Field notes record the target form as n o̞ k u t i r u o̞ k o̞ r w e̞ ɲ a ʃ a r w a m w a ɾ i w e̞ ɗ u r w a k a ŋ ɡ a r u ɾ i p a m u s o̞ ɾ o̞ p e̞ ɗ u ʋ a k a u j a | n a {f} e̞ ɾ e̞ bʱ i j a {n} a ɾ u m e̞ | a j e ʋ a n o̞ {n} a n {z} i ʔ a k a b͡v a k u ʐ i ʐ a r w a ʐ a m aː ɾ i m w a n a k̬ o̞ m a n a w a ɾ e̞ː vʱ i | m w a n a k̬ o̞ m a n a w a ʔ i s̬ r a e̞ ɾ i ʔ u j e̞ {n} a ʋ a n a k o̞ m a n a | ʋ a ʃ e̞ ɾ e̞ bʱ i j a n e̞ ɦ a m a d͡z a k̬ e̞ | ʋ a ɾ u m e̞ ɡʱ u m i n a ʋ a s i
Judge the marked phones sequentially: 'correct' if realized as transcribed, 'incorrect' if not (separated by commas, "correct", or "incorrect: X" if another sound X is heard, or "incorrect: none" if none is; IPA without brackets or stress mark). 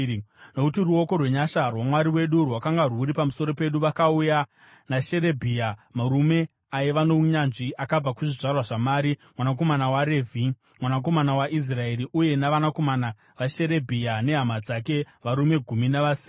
incorrect: ʃ, incorrect: m, incorrect: ɲ, incorrect: ʐ, correct